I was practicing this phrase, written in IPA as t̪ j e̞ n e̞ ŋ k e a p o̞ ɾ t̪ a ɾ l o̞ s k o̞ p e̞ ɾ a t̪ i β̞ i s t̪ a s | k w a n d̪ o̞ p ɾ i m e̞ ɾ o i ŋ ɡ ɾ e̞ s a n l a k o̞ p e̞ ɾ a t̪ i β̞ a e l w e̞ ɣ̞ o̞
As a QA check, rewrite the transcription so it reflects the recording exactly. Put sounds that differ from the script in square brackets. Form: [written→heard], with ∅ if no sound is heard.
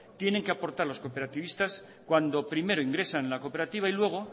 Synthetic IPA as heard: t̪ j e̞ n e̞ ŋ k e a p o̞ ɾ t̪ a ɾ l o̞ s k o̞ p e̞ ɾ a t̪ i β̞ i s t̪ a s | k w a n d̪ o̞ p ɾ i m e̞ ɾ o i ŋ ɡ ɾ e̞ s a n l a k o̞ p e̞ ɾ a t̪ i β̞ a [e→i] l w e̞ ɣ̞ o̞